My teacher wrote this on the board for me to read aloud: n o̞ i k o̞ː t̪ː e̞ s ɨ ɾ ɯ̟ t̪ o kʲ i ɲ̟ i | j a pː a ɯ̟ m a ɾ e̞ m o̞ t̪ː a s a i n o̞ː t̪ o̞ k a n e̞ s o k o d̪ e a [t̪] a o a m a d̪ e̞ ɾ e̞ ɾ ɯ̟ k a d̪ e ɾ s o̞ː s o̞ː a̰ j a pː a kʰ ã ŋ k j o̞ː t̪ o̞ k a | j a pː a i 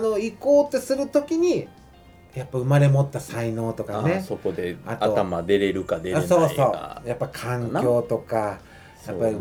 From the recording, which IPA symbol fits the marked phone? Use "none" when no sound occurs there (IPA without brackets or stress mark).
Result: t̪